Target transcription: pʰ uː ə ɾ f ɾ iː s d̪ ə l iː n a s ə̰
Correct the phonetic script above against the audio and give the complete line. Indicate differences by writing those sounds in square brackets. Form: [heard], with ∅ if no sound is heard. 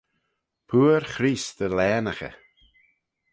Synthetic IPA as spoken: pʰ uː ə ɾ [x] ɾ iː s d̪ ə l [ɛː] n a [x] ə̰